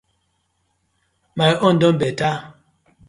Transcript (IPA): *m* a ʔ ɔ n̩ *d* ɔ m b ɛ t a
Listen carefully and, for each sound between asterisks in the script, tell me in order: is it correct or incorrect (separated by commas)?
correct, correct